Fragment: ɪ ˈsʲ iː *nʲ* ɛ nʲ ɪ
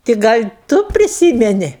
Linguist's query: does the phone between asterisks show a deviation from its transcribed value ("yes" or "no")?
yes